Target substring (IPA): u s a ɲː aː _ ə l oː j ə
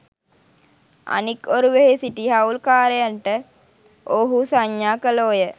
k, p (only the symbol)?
k